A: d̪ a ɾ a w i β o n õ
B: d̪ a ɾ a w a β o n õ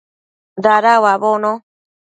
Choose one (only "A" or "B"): B